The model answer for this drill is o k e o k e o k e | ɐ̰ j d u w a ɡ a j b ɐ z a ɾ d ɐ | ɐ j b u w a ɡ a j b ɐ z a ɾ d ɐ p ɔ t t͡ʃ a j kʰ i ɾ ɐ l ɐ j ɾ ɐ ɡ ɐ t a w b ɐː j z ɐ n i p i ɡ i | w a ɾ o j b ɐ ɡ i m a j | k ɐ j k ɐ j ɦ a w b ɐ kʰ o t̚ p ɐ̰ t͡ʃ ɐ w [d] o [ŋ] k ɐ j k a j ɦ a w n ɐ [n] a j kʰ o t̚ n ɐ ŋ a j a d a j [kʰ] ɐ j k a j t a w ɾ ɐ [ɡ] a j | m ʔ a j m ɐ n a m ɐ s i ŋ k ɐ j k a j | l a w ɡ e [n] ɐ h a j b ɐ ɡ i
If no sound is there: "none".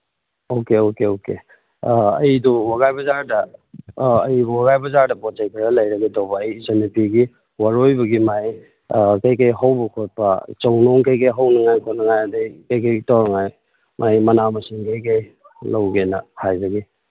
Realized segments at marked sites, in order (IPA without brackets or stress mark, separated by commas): n, ŋ, ŋ, k, ŋ, n